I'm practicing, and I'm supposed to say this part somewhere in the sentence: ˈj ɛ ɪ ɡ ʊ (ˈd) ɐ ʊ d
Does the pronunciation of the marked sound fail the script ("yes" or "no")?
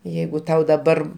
yes